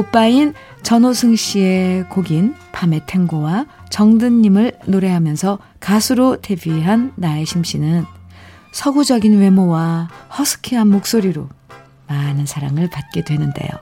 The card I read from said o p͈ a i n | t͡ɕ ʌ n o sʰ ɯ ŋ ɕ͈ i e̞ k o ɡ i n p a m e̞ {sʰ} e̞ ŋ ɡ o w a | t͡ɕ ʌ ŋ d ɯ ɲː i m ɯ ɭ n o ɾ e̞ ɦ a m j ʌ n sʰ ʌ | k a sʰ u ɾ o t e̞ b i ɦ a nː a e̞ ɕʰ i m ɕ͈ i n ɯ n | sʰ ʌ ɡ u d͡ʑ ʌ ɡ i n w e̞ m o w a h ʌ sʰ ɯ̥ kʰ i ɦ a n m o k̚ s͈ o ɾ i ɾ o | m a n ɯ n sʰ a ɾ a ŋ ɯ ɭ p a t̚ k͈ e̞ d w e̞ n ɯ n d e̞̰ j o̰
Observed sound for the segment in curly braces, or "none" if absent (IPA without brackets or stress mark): tʰ